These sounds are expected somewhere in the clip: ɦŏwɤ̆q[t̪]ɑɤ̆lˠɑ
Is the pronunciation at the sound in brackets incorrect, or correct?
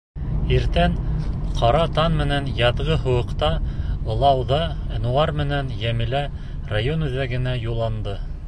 correct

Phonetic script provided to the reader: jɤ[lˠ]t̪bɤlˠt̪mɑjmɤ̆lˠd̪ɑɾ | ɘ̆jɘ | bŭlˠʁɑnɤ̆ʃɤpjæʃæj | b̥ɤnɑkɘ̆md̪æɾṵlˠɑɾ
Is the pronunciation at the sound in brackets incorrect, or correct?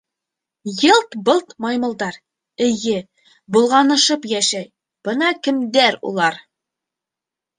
correct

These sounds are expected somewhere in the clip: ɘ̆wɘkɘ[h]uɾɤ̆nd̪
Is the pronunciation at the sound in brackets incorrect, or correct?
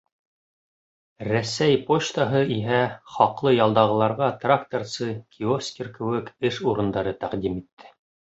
incorrect: ʃ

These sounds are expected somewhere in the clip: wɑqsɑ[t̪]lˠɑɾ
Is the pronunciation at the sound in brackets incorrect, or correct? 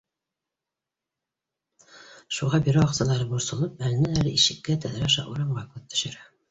incorrect: none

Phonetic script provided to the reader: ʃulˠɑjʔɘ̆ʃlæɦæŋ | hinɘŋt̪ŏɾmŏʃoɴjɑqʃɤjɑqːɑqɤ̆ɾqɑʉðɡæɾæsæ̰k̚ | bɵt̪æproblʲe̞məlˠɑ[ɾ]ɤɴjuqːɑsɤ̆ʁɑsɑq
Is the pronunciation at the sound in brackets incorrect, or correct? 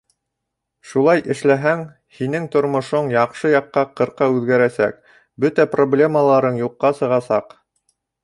correct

